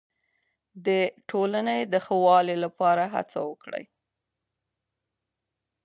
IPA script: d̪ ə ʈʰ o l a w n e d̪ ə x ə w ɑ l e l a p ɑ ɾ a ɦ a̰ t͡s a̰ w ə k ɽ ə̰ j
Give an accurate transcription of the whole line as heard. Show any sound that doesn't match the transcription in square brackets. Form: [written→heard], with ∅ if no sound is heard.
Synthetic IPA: d̪ ə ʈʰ o l a [w→∅] n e d̪ ə x ə w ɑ l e l a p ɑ ɾ a ɦ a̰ t͡s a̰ w ə k ɽ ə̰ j